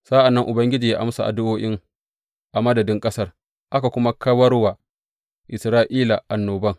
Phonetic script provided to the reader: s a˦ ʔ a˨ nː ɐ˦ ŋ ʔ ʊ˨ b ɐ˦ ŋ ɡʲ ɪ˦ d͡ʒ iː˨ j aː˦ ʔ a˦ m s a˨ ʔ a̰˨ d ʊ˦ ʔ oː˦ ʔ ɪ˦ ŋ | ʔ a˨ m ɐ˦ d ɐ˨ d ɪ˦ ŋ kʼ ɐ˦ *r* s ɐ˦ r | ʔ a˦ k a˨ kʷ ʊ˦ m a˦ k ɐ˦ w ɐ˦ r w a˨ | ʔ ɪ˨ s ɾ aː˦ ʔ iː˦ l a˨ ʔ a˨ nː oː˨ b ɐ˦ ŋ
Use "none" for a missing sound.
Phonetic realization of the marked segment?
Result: none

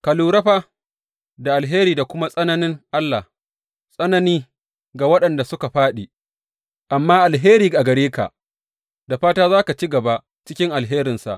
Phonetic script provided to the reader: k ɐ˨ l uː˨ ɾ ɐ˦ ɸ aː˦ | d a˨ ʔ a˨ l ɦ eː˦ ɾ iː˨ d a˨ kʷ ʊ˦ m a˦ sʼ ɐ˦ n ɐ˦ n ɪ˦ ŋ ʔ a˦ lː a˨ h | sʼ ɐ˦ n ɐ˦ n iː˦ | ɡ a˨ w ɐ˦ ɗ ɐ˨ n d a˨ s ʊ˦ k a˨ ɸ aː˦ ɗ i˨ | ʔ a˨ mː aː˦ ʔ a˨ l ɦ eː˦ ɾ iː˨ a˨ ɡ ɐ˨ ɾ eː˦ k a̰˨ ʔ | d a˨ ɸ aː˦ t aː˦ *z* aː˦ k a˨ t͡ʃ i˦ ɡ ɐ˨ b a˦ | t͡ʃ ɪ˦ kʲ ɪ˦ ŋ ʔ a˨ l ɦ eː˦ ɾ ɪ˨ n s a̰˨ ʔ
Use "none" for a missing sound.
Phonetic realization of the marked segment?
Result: z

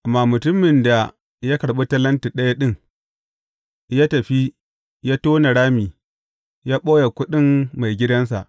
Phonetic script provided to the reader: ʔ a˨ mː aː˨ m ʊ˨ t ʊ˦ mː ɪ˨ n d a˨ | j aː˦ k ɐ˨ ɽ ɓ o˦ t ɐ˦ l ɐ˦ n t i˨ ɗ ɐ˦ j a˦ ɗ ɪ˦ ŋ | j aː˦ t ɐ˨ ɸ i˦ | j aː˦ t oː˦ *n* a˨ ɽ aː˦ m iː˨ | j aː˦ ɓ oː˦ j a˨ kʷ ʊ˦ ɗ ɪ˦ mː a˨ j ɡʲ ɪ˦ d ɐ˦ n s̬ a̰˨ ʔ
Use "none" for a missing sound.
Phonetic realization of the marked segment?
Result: n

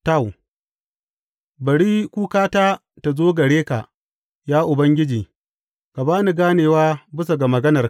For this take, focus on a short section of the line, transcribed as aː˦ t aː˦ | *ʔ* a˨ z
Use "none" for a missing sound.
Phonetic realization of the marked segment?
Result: t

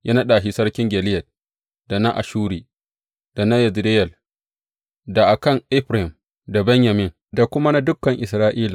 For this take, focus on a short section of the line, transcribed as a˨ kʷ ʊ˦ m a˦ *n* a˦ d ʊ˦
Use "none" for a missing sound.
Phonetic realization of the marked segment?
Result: n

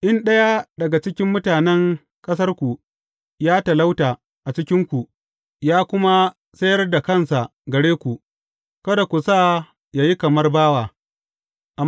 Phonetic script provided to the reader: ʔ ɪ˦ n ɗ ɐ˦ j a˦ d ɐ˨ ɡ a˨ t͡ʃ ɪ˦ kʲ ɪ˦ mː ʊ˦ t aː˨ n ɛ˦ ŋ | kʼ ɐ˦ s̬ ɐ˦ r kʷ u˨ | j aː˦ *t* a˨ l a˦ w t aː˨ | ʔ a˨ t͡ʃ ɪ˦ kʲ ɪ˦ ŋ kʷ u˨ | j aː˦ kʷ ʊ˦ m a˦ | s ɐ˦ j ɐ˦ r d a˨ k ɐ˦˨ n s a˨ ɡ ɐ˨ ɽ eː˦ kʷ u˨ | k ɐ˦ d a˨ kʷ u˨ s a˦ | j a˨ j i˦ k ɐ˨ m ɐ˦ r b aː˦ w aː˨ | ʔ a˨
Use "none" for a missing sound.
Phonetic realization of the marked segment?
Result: t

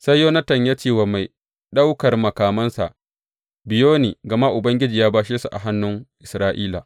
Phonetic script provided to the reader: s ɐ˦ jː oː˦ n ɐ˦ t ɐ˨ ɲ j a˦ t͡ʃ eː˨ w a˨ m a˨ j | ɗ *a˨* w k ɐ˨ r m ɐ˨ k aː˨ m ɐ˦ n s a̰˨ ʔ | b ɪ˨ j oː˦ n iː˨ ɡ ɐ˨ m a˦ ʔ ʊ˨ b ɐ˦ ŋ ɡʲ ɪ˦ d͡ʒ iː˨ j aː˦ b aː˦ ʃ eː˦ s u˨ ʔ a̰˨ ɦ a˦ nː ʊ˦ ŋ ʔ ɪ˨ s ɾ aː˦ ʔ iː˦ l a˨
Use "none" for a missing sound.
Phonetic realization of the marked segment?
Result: a˦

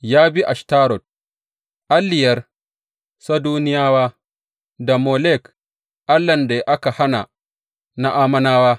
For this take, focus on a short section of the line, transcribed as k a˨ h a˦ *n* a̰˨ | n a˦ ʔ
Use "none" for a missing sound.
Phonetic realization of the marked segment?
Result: n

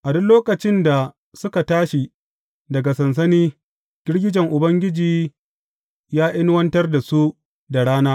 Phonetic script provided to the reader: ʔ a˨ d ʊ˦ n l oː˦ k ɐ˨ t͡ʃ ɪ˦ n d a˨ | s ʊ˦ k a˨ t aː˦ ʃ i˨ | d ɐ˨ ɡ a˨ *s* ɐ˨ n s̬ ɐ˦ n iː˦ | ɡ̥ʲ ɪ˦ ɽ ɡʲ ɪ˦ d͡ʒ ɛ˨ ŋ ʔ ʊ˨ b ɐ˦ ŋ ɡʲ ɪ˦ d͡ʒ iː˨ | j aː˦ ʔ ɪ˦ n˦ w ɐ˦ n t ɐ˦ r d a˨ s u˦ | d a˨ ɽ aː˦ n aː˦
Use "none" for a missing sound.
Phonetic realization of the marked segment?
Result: s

